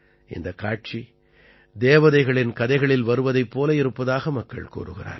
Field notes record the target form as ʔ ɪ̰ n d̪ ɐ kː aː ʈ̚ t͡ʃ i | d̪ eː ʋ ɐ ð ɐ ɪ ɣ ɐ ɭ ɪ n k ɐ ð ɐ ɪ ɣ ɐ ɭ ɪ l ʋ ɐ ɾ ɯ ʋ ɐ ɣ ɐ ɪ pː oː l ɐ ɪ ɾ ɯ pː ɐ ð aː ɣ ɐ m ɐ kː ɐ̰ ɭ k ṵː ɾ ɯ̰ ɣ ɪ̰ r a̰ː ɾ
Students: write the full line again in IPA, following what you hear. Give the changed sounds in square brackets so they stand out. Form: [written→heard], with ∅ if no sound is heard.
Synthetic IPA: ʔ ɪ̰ n d̪ ɐ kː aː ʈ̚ t͡ʃ i | d̪ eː ʋ ɐ ð ɐ ɪ ɣ ɐ ɭ ɪ n k ɐ ð ɐ ɪ ɣ ɐ ɭ ɪ l ʋ ɐ ɾ ɯ ʋ ɐ [ɣ→ð] ɐ ɪ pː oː l ɐ ɪ ɾ ɯ pː ɐ ð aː ɣ ɐ m ɐ kː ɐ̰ ɭ k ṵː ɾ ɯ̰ ɣ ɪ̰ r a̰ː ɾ